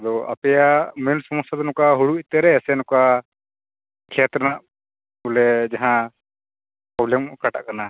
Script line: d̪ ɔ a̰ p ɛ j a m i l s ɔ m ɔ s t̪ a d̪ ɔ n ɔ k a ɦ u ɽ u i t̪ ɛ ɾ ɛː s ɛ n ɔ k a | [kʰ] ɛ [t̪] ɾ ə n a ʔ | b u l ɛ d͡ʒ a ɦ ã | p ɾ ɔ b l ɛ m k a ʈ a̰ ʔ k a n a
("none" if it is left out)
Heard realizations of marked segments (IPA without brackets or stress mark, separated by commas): kʰ, t̪